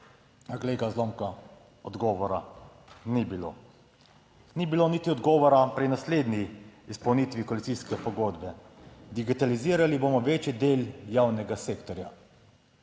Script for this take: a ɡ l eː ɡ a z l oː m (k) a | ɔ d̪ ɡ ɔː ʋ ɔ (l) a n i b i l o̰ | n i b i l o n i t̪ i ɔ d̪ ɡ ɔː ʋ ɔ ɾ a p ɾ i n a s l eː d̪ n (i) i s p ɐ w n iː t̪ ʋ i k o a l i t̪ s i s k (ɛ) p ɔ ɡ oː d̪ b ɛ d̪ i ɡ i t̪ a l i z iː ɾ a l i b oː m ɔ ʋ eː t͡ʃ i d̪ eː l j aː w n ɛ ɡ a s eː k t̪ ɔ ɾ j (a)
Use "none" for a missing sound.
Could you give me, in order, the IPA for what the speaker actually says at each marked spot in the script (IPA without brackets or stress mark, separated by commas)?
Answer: k, ɾ, i, ɛ, a